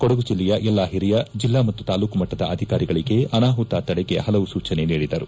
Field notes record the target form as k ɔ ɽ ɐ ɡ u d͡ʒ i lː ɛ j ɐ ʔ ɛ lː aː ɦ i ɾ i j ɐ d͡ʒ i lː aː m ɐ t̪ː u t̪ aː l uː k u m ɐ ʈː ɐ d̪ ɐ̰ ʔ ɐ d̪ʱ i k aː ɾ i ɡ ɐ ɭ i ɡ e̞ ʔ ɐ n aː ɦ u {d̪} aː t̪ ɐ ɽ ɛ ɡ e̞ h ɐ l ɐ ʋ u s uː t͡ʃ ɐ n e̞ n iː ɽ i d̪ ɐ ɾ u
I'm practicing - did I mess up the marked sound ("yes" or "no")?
yes